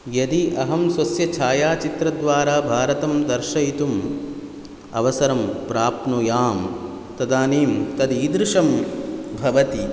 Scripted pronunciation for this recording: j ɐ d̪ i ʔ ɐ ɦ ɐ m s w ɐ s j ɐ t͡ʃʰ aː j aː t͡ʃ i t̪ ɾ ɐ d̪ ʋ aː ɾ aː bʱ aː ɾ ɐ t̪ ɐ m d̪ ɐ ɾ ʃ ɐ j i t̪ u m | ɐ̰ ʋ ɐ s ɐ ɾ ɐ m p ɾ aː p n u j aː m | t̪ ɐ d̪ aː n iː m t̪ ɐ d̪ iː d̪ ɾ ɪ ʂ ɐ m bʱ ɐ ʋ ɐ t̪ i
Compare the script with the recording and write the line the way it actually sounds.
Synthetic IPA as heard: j ɐ d̪ i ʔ ɐ ɦ ɐ m s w ɐ s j ɐ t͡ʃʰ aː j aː t͡ʃ i t̪ ɾ ɐ d̪ ʋ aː ɾ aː bʱ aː ɾ ɐ t̪ ɐ m d̪ ɐ ɾ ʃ ɐ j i t̪ u m | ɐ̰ ʋ ɐ s ɐ ɾ ɐ m p ɾ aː p n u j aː m | t̪ ɐ d̪ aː n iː m t̪ ɐ d̪ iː d̪ ɾ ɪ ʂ ɐ m bʱ ɐ ʋ ɐ t̪ i